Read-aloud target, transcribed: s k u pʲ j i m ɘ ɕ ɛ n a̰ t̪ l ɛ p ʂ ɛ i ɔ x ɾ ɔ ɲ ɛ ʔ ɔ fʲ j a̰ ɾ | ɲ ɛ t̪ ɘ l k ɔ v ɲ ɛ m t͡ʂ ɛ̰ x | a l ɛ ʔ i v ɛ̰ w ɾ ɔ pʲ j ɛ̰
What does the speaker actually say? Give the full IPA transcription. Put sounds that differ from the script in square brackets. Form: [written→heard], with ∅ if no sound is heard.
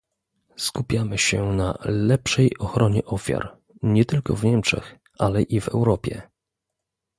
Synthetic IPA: s k u pʲ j [i→a] m ɘ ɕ ɛ n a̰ [t̪→∅] l ɛ p ʂ ɛ [i→j] ɔ x ɾ ɔ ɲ ɛ ʔ ɔ fʲ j a̰ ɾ | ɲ ɛ t̪ ɘ l k ɔ v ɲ ɛ m t͡ʂ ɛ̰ x | a l ɛ ʔ i v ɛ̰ w ɾ ɔ pʲ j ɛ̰